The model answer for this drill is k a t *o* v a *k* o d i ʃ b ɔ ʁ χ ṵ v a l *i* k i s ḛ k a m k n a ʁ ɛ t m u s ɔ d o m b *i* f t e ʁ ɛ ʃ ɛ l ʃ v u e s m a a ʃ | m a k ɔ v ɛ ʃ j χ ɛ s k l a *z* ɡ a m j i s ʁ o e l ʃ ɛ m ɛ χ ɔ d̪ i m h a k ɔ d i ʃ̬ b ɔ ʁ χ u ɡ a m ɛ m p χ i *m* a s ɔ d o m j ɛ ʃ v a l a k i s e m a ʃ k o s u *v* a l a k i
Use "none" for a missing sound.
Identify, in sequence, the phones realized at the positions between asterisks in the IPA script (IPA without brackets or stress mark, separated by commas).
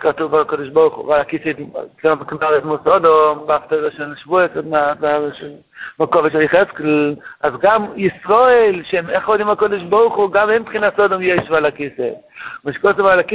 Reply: u, k, a, a, z, n, v